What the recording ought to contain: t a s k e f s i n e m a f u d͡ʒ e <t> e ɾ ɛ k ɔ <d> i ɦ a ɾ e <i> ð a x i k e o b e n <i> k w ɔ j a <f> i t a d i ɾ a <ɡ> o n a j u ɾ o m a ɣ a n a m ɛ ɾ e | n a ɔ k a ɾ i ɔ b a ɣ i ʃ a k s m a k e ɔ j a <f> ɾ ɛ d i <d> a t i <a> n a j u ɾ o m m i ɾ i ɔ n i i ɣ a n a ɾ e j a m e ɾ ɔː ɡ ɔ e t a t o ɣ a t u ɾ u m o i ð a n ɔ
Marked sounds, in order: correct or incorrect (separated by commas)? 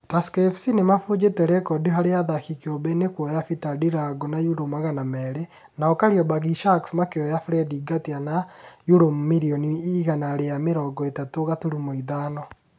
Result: correct, correct, incorrect, incorrect, correct, correct, correct, incorrect, correct